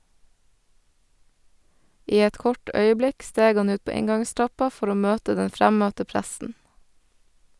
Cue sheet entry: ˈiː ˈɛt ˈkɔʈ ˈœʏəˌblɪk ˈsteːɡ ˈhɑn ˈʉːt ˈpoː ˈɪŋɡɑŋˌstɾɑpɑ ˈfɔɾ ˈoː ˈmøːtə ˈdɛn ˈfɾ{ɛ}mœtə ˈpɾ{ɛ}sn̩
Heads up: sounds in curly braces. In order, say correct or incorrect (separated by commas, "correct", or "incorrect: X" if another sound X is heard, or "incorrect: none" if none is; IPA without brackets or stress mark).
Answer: incorrect: æ, incorrect: æ